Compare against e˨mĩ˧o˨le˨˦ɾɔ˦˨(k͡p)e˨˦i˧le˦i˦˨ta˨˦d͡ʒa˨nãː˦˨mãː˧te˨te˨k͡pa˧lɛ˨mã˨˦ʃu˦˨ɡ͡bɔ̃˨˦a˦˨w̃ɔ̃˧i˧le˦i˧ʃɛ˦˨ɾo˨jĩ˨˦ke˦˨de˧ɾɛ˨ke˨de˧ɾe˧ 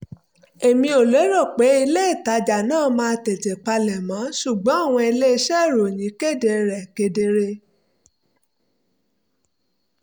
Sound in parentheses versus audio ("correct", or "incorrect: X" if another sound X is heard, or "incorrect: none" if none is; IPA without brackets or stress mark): correct